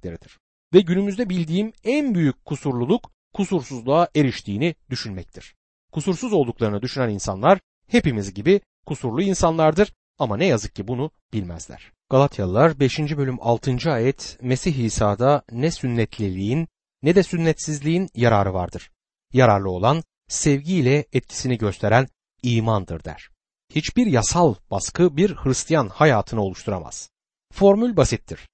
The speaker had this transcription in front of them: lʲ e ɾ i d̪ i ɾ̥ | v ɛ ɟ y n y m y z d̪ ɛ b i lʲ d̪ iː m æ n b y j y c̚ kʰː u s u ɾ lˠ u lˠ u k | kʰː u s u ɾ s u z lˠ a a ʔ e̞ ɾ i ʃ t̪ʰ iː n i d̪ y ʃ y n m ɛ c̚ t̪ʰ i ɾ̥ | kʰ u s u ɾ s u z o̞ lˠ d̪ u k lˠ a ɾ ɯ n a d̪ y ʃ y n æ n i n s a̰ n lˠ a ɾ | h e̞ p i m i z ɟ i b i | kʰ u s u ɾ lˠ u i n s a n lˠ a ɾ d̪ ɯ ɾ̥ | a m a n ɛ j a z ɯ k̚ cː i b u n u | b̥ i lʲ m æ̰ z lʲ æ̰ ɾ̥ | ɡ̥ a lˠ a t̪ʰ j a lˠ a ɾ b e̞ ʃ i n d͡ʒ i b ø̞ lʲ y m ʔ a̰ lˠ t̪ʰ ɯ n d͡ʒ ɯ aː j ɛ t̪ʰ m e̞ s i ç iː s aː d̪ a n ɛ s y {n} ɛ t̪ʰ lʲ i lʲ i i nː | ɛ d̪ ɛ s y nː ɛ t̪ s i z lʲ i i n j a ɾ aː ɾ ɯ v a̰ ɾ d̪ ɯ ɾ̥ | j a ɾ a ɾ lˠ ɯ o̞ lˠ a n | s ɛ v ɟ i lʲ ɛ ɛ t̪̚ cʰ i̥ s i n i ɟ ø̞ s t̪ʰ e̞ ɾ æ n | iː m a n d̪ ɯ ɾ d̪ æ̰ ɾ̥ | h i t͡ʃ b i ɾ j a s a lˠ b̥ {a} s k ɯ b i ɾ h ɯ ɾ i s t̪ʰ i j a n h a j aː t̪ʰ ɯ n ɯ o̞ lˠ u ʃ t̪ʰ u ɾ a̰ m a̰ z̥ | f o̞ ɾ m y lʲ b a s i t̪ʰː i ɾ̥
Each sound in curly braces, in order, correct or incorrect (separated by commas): incorrect, correct